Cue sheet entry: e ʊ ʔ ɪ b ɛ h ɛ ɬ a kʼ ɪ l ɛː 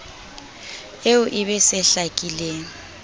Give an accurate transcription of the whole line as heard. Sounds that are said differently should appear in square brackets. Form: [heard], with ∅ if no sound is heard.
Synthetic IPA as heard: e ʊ ʔ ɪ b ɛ [s] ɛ ɬ a kʼ [i] l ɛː